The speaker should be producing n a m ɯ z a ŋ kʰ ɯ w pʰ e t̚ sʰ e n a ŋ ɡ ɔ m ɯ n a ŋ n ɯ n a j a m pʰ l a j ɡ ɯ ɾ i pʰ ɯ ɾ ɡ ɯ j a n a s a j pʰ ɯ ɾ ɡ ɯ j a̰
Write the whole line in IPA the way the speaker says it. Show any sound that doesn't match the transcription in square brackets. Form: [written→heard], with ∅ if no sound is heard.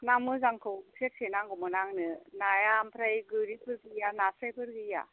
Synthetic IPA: n a m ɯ z a ŋ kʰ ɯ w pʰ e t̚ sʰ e n a ŋ ɡ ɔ m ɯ n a ŋ n ɯ n a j a m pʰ [l→ɾ] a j ɡ ɯ ɾ i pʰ ɯ ɾ ɡ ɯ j a n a s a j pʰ ɯ ɾ ɡ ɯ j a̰